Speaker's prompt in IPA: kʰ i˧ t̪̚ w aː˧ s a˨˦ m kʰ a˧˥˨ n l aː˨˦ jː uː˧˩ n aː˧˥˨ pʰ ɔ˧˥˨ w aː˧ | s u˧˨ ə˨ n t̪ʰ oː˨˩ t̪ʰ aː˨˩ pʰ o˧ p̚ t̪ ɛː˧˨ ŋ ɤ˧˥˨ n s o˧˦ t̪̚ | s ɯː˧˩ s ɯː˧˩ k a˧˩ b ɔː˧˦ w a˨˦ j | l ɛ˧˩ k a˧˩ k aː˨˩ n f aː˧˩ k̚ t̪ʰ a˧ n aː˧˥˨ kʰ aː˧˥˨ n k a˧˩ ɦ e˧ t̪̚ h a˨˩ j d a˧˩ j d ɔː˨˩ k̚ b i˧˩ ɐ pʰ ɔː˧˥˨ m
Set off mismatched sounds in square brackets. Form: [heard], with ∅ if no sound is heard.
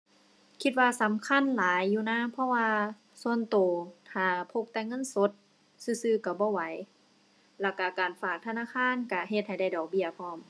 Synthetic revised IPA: kʰ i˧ t̪̚ w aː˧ s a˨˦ m kʰ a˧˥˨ n l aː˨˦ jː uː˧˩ n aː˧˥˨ pʰ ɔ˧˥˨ w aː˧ | s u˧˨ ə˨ n [t̪] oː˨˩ t̪ʰ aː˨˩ pʰ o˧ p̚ t̪ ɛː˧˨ ŋ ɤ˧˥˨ n s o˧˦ t̪̚ | s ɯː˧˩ s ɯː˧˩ k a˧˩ b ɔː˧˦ w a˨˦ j | l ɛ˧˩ k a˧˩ k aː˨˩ n f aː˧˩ k̚ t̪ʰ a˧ n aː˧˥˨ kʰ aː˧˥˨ n k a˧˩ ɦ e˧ t̪̚ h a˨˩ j d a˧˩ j d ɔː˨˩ k̚ b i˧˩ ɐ pʰ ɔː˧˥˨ m